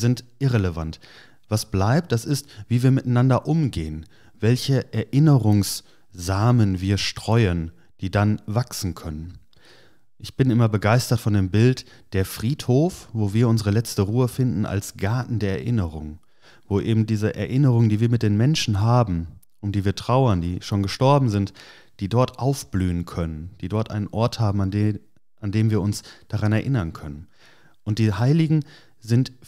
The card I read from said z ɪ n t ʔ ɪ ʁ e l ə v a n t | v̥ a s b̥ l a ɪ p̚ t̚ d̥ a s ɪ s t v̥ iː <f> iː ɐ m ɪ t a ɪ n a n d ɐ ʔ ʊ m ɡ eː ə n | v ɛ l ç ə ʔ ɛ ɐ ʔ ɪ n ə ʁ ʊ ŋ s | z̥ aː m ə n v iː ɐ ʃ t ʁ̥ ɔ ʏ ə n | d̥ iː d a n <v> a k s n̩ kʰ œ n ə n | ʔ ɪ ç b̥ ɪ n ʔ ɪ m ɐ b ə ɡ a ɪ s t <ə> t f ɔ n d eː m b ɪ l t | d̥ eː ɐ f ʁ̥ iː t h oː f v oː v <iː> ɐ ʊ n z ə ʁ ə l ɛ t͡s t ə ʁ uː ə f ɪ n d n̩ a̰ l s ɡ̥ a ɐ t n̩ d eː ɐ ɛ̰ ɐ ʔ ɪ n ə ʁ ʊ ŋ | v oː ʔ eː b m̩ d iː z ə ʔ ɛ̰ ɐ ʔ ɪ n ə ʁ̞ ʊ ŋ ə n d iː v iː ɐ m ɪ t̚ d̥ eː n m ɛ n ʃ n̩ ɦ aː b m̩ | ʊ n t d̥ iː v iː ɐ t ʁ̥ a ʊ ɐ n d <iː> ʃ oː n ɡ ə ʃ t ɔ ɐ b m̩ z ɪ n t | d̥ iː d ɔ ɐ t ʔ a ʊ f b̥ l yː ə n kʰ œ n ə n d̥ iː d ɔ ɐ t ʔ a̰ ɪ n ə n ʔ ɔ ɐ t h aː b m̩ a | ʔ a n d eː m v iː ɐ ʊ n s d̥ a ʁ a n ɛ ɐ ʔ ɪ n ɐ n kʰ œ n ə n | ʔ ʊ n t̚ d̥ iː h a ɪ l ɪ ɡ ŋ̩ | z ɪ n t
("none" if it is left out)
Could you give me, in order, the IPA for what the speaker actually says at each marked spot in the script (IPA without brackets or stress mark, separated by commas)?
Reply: v, v, ɐ, iː, iː